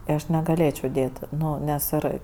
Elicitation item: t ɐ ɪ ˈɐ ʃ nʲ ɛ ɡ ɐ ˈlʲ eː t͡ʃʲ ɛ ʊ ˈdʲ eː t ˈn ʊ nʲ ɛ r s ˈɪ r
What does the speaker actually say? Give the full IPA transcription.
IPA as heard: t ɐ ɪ ˈɐ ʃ nʲ ɛ ɡ ɐ ˈlʲ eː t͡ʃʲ ɛ ʊ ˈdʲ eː t ˈn ʊ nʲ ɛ s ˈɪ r